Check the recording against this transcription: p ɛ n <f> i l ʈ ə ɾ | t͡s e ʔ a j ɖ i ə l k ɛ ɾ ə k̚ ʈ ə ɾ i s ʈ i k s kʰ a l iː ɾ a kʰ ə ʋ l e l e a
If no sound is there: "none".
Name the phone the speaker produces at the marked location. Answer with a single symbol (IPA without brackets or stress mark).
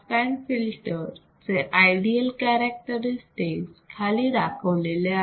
f